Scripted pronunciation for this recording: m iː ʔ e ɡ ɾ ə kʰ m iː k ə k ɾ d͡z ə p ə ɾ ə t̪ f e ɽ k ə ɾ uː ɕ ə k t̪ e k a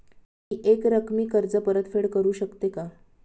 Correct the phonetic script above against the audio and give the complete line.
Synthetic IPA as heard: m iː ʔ e k ɾ ə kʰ m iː k ə ɾ d͡z ə p ə ɾ ə t̪ f e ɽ k ə ɾ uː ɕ ə k t̪ e k a